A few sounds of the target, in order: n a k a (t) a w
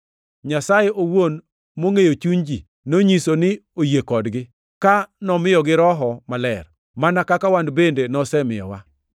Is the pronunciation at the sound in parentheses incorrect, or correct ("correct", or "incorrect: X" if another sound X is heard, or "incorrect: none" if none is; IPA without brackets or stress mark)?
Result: incorrect: k